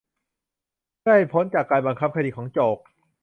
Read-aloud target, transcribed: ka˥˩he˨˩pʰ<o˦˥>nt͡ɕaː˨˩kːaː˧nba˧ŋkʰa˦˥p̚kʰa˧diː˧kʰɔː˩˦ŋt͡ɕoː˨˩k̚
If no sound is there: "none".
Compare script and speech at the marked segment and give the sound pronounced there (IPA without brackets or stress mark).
o˦˥